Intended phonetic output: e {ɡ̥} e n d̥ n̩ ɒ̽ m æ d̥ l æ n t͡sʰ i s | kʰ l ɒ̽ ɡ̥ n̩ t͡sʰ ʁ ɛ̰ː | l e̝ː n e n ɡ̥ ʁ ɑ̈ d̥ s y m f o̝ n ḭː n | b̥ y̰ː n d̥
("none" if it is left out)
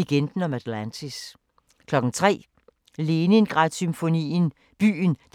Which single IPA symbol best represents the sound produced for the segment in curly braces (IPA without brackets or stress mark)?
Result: ɡ̥